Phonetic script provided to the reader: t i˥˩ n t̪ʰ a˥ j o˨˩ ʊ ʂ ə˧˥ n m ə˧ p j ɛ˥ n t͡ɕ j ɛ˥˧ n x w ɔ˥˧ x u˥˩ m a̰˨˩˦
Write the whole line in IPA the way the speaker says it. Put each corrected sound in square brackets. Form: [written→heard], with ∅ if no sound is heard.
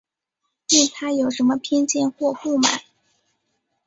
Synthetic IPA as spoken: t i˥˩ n t̪ʰ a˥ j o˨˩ ʊ ʂ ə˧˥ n m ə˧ [p→pʰ] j ɛ˥ n t͡ɕ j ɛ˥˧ n x w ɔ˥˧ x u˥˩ m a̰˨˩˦